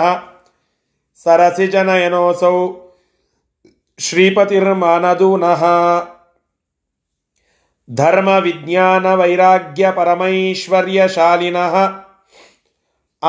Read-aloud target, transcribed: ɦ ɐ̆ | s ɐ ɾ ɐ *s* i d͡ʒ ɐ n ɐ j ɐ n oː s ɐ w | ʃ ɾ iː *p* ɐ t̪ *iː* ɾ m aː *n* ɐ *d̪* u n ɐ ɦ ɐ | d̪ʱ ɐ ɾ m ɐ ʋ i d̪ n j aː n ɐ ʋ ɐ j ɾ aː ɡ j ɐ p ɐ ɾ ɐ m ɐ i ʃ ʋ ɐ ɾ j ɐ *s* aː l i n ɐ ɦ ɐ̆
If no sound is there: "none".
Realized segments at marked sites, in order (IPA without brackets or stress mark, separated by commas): s, p, i, n, d̪, ʃ